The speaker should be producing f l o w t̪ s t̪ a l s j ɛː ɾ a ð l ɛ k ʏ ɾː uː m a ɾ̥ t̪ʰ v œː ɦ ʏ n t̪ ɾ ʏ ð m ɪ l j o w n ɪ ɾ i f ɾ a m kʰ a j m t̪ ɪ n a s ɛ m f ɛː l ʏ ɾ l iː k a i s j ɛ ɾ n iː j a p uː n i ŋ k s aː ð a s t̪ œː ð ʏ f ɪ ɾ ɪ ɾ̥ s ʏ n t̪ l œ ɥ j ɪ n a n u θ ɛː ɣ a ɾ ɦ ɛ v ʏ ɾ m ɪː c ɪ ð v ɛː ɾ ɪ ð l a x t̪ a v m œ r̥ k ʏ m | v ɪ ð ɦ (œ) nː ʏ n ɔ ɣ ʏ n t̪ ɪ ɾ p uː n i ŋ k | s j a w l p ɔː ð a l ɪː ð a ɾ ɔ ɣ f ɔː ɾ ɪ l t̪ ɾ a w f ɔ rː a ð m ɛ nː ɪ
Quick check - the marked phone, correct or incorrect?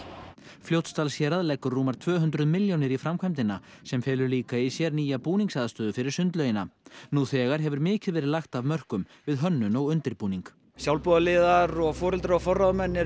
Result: correct